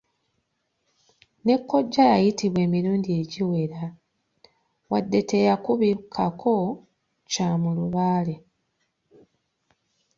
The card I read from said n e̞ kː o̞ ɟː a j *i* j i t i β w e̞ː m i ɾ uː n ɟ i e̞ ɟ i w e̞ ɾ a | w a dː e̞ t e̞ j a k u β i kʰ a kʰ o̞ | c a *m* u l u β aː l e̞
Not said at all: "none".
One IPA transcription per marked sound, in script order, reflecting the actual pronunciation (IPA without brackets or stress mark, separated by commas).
a, m